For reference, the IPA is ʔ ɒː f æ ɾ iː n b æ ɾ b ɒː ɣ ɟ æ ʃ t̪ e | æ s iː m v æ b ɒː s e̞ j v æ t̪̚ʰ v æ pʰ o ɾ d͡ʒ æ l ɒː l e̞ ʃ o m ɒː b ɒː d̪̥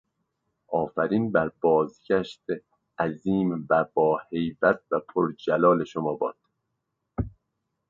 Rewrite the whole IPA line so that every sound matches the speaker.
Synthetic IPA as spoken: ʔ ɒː f æ ɾ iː n b æ ɾ b ɒː z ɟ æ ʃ t̪ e | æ z iː m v æ b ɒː h e̞ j v æ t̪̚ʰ v æ pʰ o ɾ d͡ʒ æ l ɒː l e̞ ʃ o m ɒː b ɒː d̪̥

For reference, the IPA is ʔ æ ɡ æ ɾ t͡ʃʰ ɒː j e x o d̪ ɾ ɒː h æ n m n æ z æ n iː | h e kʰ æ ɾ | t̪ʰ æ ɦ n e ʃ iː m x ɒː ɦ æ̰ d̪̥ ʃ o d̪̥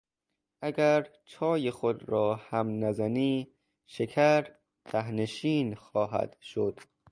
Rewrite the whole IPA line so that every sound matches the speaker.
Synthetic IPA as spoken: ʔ æ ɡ æ ɾ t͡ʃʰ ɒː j e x o d̪ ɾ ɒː h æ m n æ z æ n iː | ʃ e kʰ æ ɾ | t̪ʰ æ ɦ n e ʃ iː n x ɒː ɦ æ̰ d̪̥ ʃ o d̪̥

